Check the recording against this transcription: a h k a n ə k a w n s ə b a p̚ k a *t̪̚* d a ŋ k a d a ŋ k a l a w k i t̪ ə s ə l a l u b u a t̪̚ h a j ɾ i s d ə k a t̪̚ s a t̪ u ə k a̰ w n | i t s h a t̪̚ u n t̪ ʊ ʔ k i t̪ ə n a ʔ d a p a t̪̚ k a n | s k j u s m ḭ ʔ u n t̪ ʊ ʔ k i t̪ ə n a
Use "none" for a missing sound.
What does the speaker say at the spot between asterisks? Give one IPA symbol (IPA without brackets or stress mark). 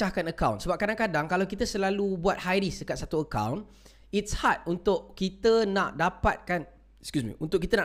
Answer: none